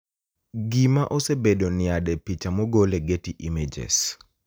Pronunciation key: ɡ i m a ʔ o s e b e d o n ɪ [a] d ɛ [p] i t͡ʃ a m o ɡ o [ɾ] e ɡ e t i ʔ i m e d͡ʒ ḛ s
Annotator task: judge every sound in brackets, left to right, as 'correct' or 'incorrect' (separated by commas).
correct, correct, incorrect